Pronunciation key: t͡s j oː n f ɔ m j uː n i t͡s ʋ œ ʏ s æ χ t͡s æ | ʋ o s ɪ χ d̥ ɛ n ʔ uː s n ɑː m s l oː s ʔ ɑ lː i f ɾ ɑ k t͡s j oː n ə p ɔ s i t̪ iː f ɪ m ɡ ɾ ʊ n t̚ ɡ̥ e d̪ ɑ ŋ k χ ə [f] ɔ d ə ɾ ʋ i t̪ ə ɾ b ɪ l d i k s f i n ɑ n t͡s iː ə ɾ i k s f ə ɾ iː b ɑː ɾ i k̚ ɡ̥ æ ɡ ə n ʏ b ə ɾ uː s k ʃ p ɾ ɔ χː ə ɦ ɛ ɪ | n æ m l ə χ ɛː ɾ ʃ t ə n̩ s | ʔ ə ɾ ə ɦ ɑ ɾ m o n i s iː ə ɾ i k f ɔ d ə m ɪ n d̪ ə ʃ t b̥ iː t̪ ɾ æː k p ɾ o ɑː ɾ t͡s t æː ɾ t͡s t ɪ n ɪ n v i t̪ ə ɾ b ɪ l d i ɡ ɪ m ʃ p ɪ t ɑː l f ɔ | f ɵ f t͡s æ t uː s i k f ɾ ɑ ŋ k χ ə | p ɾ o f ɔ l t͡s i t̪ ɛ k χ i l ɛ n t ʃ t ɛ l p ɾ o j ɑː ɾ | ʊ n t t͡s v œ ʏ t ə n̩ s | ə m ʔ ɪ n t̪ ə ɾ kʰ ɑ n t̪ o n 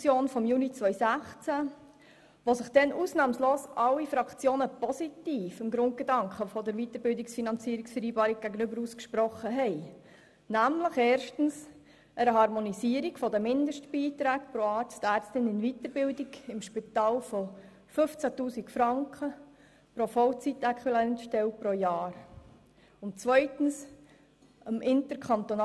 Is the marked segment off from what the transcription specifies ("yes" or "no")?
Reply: no